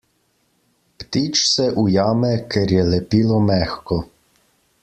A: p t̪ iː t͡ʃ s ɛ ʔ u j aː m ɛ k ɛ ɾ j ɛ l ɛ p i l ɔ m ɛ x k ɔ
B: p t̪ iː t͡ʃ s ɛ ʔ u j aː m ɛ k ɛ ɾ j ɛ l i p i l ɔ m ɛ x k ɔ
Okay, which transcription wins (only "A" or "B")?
A